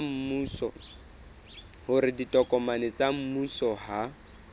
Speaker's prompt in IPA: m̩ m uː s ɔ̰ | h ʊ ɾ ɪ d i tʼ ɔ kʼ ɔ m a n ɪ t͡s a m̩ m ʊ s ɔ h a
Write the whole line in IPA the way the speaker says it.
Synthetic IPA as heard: m̩ m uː s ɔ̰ | h ʊ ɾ ɪ d i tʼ ɔ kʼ ɔ m a n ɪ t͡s a m̩ m u s ɔ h a